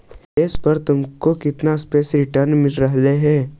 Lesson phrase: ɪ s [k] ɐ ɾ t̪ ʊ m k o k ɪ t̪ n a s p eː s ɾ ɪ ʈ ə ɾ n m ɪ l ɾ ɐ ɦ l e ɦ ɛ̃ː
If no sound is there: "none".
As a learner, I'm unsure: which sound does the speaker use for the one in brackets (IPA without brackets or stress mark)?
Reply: p